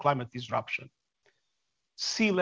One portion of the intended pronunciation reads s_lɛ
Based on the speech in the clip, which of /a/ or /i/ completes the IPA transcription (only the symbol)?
i